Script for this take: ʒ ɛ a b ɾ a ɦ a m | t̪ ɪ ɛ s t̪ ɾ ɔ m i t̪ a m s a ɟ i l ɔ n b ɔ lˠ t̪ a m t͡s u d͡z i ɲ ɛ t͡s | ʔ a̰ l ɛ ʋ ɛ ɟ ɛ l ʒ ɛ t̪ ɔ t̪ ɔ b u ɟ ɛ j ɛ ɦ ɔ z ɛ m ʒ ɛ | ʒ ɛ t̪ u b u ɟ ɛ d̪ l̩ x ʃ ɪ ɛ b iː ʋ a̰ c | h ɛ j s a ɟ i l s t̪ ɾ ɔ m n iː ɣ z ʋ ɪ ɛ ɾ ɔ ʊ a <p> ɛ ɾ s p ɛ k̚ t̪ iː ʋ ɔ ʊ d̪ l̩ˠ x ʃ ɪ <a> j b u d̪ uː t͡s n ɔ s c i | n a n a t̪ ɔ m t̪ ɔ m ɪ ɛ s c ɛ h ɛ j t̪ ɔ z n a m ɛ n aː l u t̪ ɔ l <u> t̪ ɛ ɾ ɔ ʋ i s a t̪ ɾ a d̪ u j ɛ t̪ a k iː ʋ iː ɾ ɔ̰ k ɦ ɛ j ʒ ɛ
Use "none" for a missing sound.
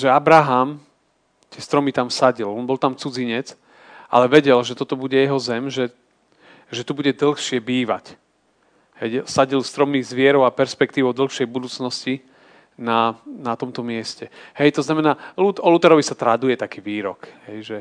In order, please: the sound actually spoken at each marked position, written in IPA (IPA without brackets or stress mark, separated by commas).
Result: p, ɛ, u